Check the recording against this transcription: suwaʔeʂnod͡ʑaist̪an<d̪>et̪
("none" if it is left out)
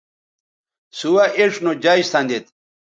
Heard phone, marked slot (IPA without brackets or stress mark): d̪